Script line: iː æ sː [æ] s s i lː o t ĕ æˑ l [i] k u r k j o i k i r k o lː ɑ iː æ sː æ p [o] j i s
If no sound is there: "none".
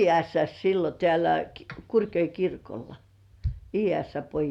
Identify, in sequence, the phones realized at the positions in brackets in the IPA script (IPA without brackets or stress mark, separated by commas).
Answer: æ, æ, o